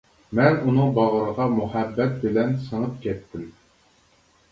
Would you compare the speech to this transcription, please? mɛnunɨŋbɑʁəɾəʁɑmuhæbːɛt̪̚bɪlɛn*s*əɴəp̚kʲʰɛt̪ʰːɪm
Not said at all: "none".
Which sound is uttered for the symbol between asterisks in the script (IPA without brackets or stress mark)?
s